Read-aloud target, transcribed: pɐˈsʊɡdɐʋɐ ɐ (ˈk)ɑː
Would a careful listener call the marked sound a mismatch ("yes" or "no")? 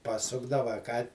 no